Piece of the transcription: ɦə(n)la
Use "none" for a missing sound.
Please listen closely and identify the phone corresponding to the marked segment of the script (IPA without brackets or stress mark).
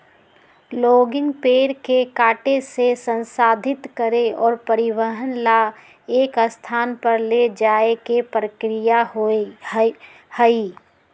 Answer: n